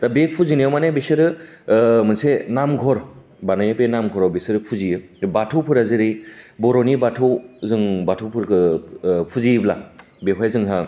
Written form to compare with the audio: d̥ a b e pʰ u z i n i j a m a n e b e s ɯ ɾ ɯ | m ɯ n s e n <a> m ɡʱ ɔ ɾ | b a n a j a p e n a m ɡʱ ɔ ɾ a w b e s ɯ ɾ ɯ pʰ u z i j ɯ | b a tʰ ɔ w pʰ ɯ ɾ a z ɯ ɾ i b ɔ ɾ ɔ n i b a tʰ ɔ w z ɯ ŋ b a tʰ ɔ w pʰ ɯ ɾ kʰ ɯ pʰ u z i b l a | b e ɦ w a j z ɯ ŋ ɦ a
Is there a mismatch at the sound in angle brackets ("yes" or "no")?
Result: no